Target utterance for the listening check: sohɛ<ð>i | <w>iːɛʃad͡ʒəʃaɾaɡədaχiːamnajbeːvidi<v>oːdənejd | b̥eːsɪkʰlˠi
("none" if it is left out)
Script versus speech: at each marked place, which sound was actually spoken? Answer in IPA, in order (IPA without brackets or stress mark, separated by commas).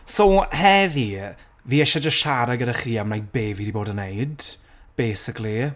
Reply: v, v, b